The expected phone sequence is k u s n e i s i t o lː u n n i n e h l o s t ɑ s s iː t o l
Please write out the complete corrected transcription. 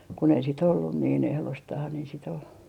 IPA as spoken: k u n e i s i t o lː u n n iː n e h l o s t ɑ h s i t o l